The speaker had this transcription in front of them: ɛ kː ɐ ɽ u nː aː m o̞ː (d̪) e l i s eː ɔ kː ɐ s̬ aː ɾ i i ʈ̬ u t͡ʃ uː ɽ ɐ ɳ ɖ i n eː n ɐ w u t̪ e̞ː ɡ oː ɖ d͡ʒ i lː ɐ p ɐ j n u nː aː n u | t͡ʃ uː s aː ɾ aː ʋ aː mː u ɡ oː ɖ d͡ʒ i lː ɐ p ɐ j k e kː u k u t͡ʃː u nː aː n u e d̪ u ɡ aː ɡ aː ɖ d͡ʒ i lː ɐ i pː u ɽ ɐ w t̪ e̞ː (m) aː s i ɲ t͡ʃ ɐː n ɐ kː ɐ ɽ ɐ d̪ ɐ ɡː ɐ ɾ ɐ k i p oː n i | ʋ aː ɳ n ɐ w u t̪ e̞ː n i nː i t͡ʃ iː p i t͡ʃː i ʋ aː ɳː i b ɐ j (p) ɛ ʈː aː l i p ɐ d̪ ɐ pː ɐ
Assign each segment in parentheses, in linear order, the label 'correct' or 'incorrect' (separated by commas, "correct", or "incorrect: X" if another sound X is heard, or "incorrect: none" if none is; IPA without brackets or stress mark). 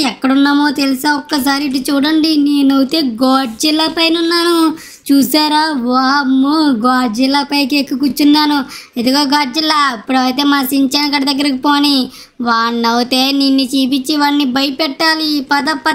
incorrect: t̪, correct, correct